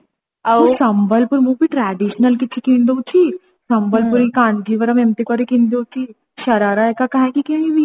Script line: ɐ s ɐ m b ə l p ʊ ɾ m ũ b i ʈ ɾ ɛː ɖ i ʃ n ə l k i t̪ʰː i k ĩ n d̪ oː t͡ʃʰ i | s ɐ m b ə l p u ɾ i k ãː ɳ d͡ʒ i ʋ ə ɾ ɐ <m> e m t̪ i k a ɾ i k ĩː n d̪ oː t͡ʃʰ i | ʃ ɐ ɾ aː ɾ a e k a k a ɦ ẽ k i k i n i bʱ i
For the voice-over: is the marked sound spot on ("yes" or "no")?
yes